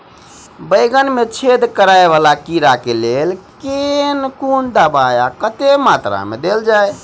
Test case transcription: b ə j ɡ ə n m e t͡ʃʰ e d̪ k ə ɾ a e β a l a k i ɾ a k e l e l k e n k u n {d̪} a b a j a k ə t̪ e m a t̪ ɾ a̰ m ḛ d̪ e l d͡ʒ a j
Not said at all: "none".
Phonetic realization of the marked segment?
d̪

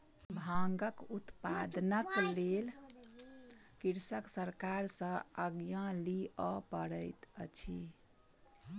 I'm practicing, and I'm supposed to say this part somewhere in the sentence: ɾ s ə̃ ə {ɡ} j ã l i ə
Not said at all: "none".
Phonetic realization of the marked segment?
ɡ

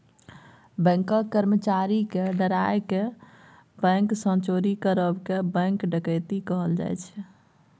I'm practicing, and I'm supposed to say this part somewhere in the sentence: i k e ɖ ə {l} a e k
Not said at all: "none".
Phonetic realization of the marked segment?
ɾ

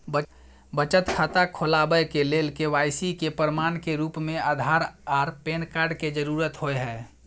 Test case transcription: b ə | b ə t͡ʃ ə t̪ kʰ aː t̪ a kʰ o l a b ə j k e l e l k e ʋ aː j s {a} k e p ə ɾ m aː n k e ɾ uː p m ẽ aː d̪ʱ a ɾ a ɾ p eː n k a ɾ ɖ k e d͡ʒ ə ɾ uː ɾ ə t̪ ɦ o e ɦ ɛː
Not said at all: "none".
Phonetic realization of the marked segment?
i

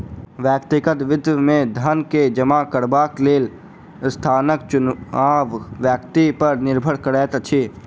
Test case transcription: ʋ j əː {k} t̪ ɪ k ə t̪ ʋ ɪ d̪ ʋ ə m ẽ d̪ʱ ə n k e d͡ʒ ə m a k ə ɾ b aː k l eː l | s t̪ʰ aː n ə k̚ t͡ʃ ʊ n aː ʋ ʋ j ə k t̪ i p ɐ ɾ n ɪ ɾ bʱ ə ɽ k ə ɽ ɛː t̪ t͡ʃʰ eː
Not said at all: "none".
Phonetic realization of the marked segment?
k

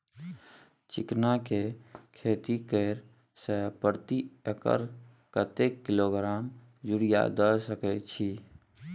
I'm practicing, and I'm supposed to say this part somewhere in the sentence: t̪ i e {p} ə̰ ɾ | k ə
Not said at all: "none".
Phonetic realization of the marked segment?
k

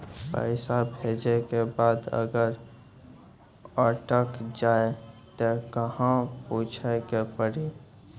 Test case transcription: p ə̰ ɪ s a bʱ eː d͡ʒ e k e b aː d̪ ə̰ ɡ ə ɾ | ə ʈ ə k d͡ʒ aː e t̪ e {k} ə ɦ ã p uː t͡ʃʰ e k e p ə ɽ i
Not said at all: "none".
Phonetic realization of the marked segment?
k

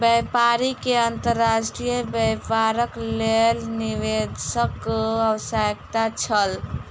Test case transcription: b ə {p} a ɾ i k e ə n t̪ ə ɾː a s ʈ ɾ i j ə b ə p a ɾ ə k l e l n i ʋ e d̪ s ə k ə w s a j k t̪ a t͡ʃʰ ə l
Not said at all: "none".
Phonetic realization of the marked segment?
p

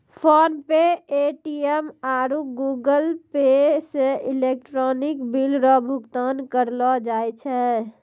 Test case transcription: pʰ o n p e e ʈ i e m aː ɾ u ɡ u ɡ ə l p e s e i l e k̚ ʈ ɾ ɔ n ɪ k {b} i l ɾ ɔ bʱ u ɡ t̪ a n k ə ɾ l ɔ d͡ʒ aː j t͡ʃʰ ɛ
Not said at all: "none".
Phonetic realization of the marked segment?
b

